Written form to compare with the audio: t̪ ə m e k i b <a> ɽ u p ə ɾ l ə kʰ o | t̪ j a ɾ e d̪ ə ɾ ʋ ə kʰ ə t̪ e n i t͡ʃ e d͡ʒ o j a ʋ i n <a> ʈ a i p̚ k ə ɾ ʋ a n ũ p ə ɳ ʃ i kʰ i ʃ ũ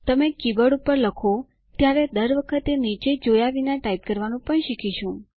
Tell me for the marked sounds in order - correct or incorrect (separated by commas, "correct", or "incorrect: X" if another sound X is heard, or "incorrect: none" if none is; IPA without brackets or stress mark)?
incorrect: ə, correct